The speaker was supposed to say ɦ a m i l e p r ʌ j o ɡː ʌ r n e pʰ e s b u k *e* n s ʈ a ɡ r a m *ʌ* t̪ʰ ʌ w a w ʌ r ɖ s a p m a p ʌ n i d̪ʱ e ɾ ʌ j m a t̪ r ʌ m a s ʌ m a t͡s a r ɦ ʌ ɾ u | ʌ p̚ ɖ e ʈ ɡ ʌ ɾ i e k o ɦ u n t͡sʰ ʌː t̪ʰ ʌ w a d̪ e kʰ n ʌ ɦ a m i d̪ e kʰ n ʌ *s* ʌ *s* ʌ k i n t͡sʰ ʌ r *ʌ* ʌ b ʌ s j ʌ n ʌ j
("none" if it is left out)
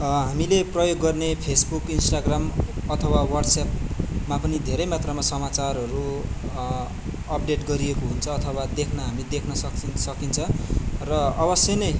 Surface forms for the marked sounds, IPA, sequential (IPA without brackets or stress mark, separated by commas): i, ʌ, s, s, ʌ